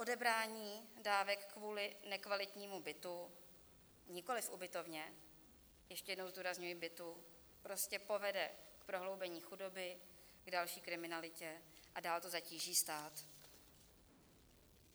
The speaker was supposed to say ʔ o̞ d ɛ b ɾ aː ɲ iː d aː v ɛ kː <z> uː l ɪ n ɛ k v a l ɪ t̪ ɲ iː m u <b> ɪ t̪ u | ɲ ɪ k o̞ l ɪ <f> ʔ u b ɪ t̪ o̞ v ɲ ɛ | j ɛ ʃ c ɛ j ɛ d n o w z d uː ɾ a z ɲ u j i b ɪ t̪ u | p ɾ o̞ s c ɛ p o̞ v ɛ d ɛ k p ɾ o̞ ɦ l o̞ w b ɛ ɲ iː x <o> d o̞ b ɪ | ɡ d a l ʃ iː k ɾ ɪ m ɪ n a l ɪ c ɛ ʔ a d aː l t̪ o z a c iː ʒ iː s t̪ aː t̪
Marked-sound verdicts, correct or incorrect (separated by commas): incorrect, correct, correct, incorrect